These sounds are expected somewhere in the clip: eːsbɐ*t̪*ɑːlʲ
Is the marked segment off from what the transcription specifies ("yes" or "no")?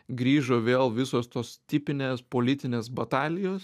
no